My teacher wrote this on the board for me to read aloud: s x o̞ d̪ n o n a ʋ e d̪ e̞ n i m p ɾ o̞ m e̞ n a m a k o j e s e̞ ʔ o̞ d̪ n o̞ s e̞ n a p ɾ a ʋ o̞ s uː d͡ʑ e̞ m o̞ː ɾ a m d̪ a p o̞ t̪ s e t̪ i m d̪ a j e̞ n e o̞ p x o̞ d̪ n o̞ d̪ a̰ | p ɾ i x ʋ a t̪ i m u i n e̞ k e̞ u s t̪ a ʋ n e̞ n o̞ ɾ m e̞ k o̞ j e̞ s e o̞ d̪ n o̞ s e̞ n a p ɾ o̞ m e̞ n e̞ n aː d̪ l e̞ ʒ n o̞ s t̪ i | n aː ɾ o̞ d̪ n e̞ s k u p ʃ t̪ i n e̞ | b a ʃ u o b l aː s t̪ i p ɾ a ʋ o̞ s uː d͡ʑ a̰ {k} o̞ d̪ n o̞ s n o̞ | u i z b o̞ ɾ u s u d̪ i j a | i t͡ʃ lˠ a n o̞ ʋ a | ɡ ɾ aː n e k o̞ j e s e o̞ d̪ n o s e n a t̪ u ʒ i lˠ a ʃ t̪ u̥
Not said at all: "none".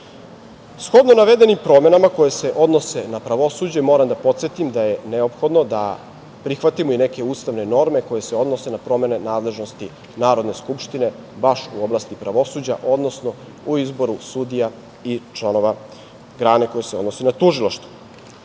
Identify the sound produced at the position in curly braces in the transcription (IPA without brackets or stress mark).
ʔ